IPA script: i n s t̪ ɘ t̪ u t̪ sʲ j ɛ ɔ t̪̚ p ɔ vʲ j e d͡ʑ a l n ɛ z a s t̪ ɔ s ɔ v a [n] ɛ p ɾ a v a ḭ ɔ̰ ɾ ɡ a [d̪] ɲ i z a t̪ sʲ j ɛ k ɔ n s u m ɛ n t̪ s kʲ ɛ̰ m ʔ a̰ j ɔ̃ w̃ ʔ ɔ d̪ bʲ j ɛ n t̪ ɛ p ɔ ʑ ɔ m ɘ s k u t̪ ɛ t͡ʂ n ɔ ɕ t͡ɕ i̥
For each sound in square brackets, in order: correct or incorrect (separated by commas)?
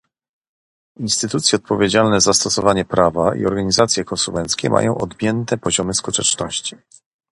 incorrect, incorrect